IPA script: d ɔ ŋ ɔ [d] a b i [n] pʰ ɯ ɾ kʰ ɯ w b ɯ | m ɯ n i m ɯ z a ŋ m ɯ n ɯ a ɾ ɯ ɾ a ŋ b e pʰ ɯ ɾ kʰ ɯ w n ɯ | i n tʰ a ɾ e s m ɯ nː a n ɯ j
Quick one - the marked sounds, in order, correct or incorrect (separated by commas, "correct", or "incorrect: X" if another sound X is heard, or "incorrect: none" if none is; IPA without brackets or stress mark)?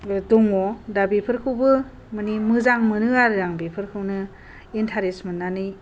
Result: correct, incorrect: none